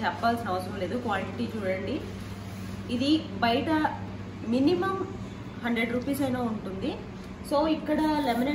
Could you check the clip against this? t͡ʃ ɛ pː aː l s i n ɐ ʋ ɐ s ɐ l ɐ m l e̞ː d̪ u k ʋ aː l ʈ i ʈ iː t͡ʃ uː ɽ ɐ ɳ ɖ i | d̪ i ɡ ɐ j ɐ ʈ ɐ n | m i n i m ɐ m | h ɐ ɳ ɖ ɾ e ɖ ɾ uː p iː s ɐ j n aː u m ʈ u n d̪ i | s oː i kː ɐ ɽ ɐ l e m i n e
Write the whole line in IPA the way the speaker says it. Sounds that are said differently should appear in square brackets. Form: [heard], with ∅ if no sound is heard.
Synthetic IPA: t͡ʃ ɛ pː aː l s i n ɐ ʋ ɐ s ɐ [ɾ] ɐ m l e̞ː d̪ u k ʋ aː l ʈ i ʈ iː t͡ʃ uː ɽ ɐ ɳ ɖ i | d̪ i [b] ɐ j ɐ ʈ ɐ [∅] | m i n i m ɐ m | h ɐ ɳ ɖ ɾ e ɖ ɾ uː p iː s ɐ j n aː u [ɳ] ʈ u n d̪ i | s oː i kː ɐ ɽ ɐ l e m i n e